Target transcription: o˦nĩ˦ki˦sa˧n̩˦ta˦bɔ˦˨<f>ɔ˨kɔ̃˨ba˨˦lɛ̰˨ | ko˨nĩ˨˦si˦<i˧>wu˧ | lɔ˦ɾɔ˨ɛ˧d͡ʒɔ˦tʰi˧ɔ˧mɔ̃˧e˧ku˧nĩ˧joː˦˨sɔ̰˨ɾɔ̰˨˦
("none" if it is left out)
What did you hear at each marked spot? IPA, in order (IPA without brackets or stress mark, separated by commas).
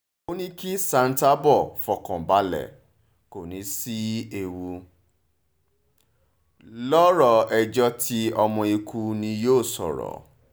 f, e˧